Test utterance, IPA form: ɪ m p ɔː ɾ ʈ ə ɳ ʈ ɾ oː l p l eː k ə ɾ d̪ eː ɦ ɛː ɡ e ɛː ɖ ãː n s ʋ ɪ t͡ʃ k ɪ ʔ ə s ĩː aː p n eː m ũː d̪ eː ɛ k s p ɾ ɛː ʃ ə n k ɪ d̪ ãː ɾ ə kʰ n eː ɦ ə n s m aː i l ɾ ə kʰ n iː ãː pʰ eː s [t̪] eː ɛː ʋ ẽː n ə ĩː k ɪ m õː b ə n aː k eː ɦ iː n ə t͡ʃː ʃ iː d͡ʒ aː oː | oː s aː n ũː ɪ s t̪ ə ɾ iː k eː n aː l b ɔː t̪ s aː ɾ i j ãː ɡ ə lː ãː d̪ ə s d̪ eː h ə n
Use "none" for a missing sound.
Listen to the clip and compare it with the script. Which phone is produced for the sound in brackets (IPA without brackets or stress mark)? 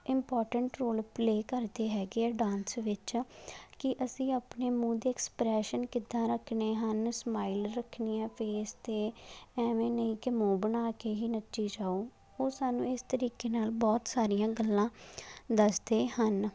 t̪